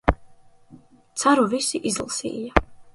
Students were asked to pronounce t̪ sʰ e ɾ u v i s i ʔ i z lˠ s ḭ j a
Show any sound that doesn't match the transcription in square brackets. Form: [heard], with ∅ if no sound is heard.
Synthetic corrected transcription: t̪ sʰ [a] ɾ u v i s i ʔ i z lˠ s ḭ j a